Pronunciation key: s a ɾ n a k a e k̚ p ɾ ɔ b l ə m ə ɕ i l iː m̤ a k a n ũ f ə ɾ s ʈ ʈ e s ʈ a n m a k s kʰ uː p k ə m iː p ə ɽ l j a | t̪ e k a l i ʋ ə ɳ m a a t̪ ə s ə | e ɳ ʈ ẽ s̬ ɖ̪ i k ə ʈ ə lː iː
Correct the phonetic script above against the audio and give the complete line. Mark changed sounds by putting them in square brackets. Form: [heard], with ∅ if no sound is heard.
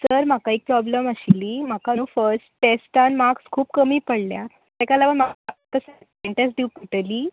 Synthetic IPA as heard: s [ə] ɾ [m] a k a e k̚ p ɾ ɔ b l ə m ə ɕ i l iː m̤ a k a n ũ f ə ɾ s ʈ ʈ e s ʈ a n m a k s kʰ uː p k ə m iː p ə ɽ l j a | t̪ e k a l [a] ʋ ə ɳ m a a t̪ ə s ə | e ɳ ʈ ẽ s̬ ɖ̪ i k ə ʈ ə [l] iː